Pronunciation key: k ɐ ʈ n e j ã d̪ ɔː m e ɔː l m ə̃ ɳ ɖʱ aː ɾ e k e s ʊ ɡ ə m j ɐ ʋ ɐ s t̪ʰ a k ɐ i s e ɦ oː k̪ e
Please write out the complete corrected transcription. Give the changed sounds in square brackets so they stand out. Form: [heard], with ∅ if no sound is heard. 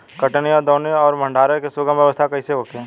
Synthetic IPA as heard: k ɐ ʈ n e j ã d̪ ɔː [n] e ɔː [ɾ] m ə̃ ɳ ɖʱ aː ɾ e k e s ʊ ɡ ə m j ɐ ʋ [ə] s t̪ʰ a k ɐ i s e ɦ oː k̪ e